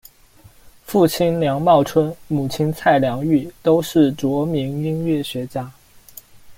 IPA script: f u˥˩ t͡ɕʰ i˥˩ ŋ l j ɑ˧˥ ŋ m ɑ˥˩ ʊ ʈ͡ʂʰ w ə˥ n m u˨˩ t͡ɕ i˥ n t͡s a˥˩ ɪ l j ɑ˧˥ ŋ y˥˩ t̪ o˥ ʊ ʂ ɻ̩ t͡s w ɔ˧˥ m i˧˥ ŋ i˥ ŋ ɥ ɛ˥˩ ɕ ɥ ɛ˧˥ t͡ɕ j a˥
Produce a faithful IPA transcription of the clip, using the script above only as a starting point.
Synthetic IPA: f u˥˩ t͡ɕʰ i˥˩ n l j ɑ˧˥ ŋ m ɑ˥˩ ʊ ʈ͡ʂʰ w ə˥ n m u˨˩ t͡ɕʰ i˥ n t͡sʰ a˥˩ ɪ l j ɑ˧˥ ŋ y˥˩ t̪ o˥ ʊ ʂ ɻ̩ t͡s w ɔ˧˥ m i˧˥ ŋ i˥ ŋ ɥ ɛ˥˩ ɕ ɥ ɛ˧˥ t͡ɕ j a˥